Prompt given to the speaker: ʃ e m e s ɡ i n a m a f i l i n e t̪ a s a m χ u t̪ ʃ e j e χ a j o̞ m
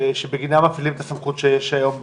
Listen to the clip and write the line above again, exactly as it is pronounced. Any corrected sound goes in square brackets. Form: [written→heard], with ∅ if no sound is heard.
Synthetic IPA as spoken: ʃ e [m→b] e [s→∅] ɡ i n a m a f i l i [n→m] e t̪ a s a m χ u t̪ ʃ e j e [χ→ʃ] a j o̞ m